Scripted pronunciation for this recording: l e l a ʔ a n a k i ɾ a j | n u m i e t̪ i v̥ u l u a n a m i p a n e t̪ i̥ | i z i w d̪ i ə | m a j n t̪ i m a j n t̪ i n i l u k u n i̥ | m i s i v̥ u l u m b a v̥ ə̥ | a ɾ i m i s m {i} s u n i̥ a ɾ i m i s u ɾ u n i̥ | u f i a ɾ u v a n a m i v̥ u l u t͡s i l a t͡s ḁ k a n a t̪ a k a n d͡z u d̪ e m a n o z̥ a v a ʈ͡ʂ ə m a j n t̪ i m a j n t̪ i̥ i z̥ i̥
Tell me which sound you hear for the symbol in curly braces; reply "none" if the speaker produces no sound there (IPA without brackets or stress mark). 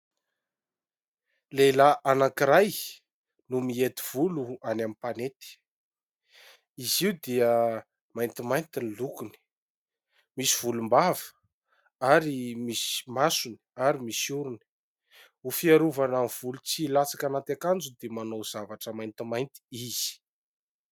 a